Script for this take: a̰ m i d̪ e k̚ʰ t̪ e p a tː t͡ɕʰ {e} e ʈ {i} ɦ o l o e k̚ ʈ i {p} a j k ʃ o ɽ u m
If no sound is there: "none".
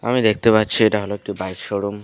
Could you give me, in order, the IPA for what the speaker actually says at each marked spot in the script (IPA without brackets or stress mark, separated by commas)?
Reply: i, a, b